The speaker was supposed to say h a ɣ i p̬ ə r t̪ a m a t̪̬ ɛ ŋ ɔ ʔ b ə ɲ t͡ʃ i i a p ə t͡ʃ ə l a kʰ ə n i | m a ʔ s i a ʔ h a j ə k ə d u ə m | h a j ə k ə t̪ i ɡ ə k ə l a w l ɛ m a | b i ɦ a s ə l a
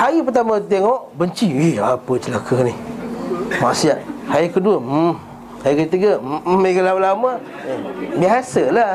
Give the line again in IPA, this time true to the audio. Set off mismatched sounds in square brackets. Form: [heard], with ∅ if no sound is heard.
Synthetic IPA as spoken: h a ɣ i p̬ ə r t̪ a m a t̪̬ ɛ ŋ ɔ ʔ b ə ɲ t͡ʃ i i a p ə t͡ʃ ə l a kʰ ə n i | m a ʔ s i a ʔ h a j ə k ə d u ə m | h a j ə k ə t̪ i ɡ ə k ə l a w l [a] m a | b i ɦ a s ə l a